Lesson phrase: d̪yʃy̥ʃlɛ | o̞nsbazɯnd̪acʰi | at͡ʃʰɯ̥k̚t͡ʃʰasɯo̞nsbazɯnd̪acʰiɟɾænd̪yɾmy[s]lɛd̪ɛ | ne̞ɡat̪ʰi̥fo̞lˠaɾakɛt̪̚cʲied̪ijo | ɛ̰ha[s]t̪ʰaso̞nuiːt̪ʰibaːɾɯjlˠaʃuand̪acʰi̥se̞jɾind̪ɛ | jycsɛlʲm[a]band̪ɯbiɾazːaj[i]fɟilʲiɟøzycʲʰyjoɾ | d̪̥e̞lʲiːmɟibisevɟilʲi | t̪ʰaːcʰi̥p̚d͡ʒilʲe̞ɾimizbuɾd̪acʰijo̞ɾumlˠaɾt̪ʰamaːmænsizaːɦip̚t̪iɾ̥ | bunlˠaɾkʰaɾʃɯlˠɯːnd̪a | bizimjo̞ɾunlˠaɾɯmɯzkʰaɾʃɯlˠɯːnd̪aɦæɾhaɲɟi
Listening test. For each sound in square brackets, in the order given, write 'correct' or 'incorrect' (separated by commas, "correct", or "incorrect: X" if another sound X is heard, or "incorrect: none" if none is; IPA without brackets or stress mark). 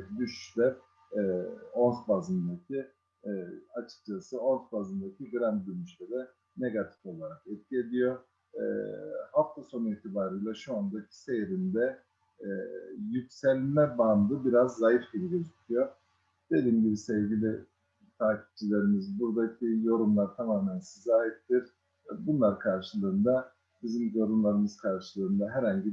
incorrect: ʃ, incorrect: f, incorrect: ɛ, correct